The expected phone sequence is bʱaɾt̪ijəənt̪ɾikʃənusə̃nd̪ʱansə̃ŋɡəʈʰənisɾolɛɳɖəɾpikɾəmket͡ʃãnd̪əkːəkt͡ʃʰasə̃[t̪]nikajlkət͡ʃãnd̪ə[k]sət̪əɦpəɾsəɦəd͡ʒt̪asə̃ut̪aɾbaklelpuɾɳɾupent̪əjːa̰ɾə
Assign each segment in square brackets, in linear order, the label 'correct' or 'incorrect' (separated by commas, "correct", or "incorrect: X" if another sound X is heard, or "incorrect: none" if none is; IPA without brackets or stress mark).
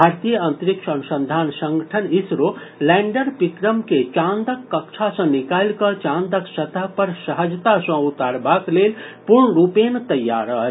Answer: incorrect: none, correct